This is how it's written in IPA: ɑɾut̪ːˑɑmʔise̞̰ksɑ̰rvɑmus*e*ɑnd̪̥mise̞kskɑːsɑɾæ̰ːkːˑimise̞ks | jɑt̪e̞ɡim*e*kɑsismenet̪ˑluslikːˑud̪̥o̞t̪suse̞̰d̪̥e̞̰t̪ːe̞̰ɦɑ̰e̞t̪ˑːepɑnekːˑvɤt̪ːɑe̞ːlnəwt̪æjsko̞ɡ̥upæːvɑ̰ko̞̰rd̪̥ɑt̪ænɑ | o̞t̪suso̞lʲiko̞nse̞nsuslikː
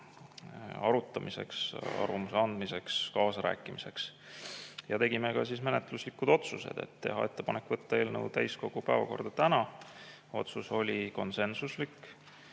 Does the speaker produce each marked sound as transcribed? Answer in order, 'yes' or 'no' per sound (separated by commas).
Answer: yes, yes